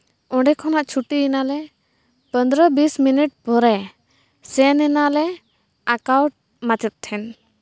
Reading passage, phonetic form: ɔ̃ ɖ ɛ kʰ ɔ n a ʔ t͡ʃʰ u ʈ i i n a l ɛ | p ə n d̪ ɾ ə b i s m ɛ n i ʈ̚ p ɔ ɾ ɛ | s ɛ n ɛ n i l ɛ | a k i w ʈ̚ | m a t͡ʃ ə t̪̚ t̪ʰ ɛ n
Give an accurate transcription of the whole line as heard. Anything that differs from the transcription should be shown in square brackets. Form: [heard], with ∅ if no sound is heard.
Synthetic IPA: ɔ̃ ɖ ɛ kʰ ɔ n a ʔ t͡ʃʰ u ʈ i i n a l ɛ | p ə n d̪ ɾ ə b i s m [i] n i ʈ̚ p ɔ ɾ ɛ | s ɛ n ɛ n [a] l ɛ | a k [a] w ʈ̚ | m a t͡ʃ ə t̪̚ t̪ʰ ɛ n